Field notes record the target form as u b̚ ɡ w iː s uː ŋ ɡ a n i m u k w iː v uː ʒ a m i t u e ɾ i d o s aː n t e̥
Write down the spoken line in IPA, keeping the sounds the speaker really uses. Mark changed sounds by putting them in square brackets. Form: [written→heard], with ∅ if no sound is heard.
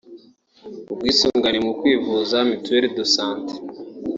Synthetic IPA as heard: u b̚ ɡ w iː s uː ŋ ɡ a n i m u k w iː v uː [ʒ→z] a m i t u e ɾ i d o s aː n t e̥